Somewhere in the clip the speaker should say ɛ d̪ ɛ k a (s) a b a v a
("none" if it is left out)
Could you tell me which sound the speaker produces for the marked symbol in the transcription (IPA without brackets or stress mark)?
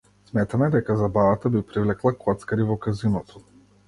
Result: z